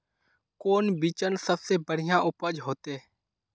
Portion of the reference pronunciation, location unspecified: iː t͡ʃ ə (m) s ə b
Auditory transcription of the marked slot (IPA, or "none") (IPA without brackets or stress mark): n